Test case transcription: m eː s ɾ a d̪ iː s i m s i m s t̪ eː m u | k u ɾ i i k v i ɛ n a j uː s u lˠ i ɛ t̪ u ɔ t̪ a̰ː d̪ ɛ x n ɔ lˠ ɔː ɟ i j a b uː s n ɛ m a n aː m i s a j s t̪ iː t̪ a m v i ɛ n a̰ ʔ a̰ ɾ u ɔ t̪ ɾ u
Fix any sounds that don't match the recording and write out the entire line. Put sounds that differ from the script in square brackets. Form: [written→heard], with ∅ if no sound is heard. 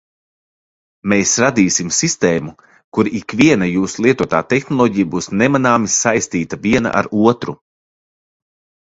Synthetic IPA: m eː s ɾ a d̪ iː s i m s i [m→∅] s t̪ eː m u | k u ɾ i i k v i ɛ n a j uː s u lˠ i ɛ t̪ u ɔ t̪ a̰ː [d̪→t̪] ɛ x n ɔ lˠ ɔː ɟ i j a b uː s n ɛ m a n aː m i s a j s t̪ iː t̪ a [m→∅] v i ɛ n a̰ ʔ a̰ ɾ u ɔ t̪ ɾ u

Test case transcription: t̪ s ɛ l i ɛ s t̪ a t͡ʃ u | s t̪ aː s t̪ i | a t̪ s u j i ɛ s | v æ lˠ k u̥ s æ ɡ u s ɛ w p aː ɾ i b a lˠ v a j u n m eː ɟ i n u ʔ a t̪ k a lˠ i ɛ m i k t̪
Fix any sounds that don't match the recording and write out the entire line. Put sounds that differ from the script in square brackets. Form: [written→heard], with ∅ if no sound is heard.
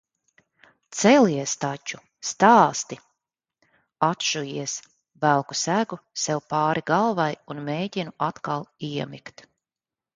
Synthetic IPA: t̪ s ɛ l i ɛ s t̪ a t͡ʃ u | s t̪ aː s t̪ i | a t̪ [s→ʃ] u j i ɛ s | v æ lˠ k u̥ s æ ɡ u s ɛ w p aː ɾ i [b→ɡ] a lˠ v a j u n m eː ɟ i n u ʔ a t̪ k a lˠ i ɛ m i k t̪

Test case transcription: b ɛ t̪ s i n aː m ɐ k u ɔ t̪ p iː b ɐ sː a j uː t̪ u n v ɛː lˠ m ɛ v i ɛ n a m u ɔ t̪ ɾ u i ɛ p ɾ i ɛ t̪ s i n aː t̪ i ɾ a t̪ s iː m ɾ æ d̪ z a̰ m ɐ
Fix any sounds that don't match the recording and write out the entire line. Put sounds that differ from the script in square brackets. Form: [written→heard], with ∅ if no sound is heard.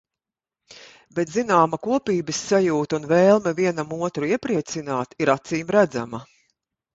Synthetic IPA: b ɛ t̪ [s→z] i n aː m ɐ k u ɔ [t̪→∅] p iː b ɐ sː a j uː t̪ u n v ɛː lˠ m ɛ v i ɛ n a m u ɔ t̪ ɾ u i ɛ p ɾ i ɛ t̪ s i n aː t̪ i ɾ a t̪ s iː m ɾ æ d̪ z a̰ m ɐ

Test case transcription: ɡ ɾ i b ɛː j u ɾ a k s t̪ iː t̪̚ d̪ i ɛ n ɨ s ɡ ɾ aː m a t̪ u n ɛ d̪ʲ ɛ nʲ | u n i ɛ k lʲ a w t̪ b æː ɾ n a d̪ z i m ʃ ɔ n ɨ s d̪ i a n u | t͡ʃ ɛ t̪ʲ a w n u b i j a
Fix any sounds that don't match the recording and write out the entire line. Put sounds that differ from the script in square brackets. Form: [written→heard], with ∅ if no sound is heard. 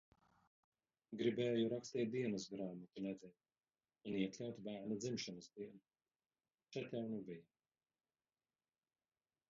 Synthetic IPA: ɡ ɾ i b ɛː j u ɾ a k s t̪ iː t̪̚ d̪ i ɛ n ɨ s ɡ ɾ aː m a t̪ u n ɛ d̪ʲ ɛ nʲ | u n i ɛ k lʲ a w t̪ b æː ɾ n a d̪ z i m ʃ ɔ n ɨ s d̪ i [a→ɛ] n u | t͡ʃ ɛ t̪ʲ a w n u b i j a

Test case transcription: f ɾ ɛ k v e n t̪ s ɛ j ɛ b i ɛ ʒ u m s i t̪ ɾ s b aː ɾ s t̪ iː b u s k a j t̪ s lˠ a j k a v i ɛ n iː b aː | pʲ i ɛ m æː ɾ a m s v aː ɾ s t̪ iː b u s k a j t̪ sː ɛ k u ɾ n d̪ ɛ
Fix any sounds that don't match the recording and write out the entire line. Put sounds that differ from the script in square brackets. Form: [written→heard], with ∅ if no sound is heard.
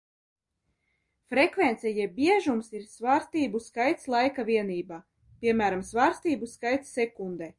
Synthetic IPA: f ɾ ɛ k v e n t̪ s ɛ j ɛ b i ɛ ʒ u m s i [t̪→∅] ɾ s [b→v] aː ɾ s t̪ iː b u s k a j t̪ s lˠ a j k a v i ɛ n iː b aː | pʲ i ɛ m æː ɾ a m s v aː ɾ s t̪ iː b u s k a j t̪ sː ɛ k u [ɾ→∅] n d̪ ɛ

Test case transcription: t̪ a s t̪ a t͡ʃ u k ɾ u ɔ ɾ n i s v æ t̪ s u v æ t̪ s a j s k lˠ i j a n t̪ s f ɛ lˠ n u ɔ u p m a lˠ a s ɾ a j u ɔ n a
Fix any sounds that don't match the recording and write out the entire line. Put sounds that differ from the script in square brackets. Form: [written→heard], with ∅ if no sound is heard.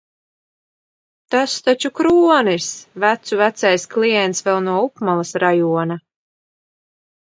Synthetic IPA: t̪ a s t̪ a t͡ʃ u k ɾ u ɔ [ɾ→∅] n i s v æ t̪ s u v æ t̪ s a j s k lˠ i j [a→ɛ] n t̪ s [f→v] ɛ lˠ n u ɔ u p m a lˠ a s ɾ a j u ɔ n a

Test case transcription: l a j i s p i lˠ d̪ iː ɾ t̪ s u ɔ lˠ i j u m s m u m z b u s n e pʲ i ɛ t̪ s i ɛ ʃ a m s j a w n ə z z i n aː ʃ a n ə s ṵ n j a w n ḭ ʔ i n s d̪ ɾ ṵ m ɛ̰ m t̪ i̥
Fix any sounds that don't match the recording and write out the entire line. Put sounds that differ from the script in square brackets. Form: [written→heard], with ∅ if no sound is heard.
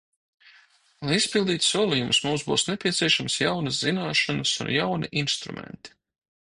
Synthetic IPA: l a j i s p i lˠ d̪ iː [ɾ→∅] t̪ s u ɔ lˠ i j u m s m u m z b [u→uː] s n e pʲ i ɛ t̪ s i ɛ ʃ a m s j a w n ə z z i n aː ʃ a n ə s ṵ n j a w n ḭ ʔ i n s [d̪→t̪] ɾ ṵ m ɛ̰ [m→n] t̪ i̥

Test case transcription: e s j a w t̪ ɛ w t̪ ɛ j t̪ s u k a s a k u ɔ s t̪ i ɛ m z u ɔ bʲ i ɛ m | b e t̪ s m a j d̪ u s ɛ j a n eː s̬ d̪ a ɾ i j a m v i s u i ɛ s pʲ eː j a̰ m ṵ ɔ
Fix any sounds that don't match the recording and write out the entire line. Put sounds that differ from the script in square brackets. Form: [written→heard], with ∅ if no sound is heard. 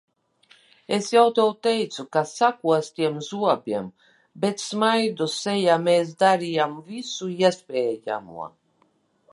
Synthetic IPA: e s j a w t̪ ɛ w t̪ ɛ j t̪ s u k a s a k u ɔ s t̪ i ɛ m z u ɔ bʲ i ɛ m | b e t̪ s m a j d̪ u s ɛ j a [n→m] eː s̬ d̪ a ɾ i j a m v i s u i ɛ s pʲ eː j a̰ m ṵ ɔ

